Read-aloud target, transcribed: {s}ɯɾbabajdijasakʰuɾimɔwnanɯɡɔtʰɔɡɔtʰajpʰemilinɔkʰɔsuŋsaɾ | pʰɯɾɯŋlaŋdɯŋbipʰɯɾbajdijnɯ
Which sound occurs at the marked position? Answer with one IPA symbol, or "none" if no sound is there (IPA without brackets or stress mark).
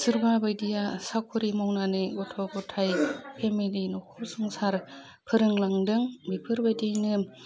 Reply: s